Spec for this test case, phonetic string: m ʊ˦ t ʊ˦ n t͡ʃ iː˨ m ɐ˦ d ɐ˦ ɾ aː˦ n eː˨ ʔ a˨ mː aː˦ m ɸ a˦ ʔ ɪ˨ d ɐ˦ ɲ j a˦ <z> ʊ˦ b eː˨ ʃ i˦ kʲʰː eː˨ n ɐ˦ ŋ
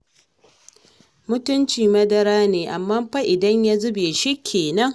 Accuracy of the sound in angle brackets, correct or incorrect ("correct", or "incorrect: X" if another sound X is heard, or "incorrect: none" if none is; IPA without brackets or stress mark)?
correct